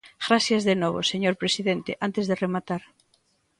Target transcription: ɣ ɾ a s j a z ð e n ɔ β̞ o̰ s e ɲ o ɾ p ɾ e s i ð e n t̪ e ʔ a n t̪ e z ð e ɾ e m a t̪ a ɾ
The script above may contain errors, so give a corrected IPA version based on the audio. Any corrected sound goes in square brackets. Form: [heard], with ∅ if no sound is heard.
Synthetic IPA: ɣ ɾ a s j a z ð e n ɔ β̞ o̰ s e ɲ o ɾ p ɾ e s i ð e n t̪ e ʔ a n t̪ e z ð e [r] e m a t̪ a ɾ